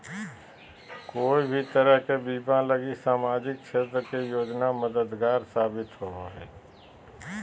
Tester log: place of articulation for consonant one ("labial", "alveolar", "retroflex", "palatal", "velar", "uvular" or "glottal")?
velar